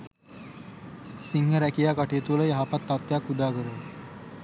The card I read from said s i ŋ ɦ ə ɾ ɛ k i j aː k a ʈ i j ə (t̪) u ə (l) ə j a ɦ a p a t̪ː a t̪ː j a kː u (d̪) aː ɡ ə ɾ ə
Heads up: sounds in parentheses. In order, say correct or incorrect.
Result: correct, correct, correct

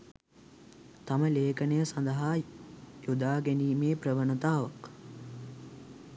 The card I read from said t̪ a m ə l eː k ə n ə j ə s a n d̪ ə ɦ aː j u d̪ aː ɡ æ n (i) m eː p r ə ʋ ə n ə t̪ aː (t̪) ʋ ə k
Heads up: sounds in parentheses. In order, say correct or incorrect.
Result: incorrect: iː, incorrect: none

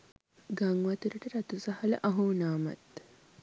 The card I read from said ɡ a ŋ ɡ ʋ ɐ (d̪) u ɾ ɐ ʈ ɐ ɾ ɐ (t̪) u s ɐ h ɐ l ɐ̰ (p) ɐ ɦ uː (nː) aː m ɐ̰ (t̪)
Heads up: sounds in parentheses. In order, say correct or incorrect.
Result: incorrect: t̪, correct, incorrect: ʔ, incorrect: n, correct

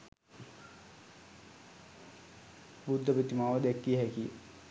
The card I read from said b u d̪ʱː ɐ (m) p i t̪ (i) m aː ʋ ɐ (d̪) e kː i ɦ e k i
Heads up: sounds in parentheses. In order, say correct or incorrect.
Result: incorrect: none, correct, correct

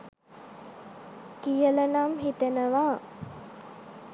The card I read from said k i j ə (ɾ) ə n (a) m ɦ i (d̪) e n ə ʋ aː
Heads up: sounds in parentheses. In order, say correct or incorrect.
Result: incorrect: l, correct, incorrect: t̪

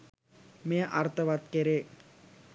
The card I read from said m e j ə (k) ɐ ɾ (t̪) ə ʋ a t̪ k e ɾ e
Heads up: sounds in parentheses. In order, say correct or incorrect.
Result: incorrect: ʔ, correct

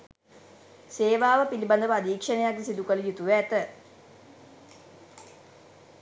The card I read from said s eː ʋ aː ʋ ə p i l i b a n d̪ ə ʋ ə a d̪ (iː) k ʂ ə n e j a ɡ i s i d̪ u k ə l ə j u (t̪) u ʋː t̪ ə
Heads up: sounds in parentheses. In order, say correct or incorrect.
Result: correct, correct

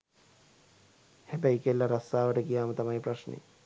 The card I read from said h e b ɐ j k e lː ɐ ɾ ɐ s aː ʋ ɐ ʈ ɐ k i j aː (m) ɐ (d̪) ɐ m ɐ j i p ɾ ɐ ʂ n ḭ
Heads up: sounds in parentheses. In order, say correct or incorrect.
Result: correct, incorrect: t̪

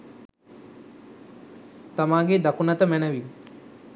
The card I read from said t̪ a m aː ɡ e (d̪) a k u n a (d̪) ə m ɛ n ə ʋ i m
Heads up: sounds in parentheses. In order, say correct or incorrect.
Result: correct, incorrect: t̪

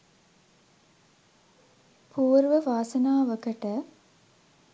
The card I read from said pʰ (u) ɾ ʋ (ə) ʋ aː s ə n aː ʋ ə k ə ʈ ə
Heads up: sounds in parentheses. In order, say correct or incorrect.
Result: incorrect: uː, correct

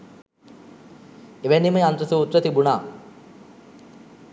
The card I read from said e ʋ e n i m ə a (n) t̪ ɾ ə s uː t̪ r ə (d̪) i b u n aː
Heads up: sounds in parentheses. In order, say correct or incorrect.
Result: correct, incorrect: t̪

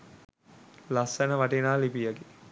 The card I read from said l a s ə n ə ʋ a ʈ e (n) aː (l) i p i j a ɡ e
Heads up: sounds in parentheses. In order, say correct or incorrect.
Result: correct, correct

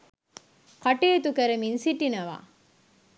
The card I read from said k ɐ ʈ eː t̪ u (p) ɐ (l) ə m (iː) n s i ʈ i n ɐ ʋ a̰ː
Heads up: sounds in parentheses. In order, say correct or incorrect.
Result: incorrect: k, incorrect: ɾ, incorrect: i

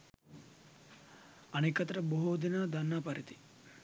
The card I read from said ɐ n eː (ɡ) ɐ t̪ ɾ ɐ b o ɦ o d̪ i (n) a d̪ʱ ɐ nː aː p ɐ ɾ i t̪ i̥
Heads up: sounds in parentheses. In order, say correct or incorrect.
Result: incorrect: k, correct

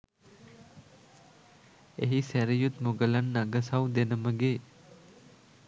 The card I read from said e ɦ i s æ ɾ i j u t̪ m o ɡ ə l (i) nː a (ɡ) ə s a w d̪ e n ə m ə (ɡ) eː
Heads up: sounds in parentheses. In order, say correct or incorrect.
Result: incorrect: a, correct, correct

